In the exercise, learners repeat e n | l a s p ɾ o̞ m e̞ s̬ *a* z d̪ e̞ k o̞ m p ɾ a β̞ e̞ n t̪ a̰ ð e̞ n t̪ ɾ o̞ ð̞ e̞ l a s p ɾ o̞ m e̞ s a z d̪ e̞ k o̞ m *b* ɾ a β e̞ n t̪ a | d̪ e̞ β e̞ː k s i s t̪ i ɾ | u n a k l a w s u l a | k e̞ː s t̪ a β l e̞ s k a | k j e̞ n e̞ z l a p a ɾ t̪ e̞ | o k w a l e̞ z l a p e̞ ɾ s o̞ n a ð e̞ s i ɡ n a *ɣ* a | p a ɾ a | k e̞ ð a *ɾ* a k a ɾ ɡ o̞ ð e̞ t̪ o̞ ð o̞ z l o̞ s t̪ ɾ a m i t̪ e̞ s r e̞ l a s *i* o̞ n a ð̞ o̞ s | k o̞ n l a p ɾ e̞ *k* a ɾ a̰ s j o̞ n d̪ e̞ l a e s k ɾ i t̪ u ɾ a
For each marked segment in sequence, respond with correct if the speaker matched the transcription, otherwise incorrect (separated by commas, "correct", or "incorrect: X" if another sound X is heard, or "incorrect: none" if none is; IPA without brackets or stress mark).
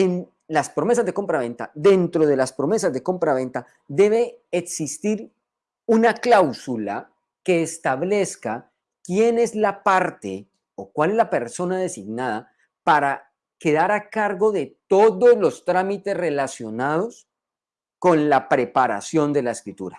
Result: correct, incorrect: p, incorrect: ð, correct, incorrect: j, incorrect: p